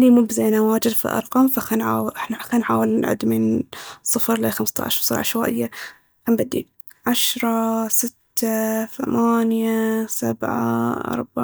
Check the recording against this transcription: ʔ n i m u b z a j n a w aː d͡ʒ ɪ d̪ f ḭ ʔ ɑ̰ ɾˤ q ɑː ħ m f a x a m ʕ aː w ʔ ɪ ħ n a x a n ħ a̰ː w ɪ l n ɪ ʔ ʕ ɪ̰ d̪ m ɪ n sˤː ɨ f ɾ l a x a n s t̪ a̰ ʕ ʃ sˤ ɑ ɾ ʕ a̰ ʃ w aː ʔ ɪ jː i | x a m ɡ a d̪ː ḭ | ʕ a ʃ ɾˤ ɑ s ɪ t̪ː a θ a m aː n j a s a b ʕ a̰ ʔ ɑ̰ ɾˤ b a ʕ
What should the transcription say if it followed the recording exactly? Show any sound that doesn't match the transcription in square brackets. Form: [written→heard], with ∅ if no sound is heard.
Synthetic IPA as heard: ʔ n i m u b z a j n a w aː d͡ʒ ɪ d̪ f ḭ ʔ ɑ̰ ɾˤ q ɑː [ħ→∅] m f a x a [m→n] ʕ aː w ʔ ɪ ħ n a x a n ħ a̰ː w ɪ l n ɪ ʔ ʕ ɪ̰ d̪ m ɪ n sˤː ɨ f ɾ l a x a [n→m] s t̪ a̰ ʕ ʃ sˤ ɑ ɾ ʕ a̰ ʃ w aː ʔ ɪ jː [i→a] | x a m [ɡ→b] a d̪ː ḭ | ʕ a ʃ ɾˤ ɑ s ɪ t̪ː a θ a m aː n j a s a b ʕ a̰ ʔ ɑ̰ ɾˤ b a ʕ